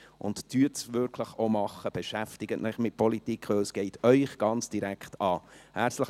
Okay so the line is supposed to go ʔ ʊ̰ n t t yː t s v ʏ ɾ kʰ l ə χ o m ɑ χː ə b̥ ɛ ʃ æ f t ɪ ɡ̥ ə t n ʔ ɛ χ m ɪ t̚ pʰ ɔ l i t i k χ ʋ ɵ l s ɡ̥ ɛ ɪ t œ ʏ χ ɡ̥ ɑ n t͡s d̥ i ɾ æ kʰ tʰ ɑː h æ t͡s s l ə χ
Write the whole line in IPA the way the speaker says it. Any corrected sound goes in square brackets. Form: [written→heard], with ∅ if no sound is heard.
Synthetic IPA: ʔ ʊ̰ n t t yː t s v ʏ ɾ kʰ l ə χ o m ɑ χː ə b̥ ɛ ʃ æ f t ɪ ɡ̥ ə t n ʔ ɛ χ m ɪ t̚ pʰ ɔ l i t i k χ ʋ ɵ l s ɡ̥ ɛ ɪ t œ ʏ χ ɡ̥ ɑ n t͡s d̥ i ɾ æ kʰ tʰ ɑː h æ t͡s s l ə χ